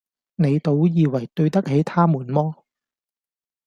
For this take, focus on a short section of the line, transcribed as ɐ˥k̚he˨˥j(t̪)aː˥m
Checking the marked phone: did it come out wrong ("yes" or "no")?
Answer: yes